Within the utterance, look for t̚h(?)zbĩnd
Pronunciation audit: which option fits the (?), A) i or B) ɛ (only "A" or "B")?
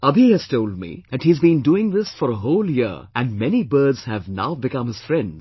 A